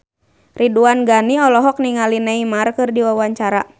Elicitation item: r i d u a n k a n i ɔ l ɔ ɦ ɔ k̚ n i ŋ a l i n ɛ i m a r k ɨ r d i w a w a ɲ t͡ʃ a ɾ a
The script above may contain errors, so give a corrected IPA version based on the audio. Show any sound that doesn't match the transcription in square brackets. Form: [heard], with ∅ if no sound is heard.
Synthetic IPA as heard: r i d u a n [ɡ] a n i ɔ l ɔ ɦ ɔ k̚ n i ŋ a l i n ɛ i m a r k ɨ r d i w a w a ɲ t͡ʃ a ɾ a